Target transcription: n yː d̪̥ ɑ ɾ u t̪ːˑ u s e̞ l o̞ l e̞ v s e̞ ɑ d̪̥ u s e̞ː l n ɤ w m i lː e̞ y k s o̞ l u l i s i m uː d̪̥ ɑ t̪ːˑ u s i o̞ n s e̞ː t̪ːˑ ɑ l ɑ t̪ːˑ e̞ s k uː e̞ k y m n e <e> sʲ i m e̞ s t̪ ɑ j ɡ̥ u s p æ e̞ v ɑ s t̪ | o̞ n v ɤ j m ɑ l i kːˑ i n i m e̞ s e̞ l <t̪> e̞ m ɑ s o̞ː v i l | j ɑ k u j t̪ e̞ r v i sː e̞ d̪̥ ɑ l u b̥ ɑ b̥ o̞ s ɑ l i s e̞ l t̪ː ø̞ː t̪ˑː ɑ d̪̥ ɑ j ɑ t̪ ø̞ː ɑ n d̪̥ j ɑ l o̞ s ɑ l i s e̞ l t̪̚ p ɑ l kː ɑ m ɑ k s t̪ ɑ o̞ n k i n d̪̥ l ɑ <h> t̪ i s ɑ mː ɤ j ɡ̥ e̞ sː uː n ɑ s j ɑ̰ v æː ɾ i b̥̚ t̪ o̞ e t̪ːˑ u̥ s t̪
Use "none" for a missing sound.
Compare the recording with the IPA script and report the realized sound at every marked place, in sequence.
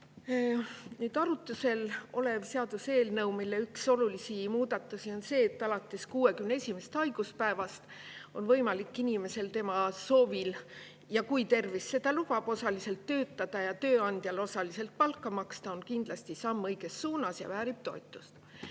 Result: e, t̪, s

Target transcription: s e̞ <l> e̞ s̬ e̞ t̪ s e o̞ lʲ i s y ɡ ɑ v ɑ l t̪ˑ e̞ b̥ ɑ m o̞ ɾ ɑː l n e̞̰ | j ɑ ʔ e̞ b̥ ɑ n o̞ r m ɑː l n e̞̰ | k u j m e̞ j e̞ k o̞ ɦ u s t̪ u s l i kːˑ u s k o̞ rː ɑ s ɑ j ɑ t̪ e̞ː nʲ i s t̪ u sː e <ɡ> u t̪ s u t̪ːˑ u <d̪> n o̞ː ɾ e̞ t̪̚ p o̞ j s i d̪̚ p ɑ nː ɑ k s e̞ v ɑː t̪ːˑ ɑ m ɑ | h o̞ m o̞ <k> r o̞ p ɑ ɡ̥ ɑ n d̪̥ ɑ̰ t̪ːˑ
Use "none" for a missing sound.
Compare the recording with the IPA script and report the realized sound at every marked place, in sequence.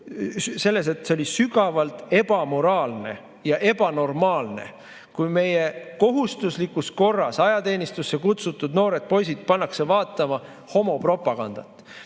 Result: lː, k, d̪, p

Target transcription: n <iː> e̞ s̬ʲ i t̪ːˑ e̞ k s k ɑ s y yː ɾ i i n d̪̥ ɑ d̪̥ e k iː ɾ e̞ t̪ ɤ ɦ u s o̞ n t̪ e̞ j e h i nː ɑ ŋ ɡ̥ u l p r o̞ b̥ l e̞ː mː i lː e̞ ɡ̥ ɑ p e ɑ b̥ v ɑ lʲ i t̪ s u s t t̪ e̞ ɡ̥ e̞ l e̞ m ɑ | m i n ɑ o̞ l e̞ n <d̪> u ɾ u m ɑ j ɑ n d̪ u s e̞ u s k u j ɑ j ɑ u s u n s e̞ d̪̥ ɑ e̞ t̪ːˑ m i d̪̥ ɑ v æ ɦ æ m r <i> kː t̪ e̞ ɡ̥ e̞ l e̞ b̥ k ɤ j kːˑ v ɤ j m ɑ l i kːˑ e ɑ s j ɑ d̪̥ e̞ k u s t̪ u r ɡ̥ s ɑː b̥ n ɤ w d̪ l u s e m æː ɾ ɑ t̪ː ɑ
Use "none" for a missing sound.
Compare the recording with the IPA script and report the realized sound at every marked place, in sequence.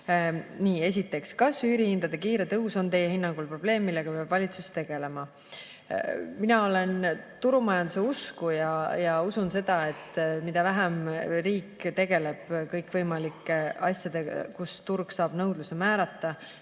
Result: iː, t̪, iː

